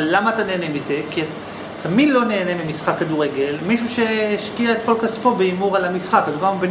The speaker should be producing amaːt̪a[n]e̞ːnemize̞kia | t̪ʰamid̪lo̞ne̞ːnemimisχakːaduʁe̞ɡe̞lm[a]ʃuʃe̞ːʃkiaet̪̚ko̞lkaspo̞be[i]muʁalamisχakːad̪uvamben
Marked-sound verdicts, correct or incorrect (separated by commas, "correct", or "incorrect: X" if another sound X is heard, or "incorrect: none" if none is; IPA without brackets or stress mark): correct, incorrect: i, correct